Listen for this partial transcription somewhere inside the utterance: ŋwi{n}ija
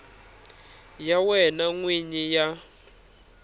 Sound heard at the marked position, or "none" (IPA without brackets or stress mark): ɲ